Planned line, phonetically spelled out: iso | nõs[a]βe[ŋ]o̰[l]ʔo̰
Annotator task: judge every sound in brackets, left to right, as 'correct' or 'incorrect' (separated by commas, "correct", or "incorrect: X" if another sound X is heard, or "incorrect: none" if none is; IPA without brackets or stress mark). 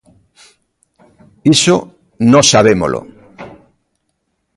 correct, incorrect: m, correct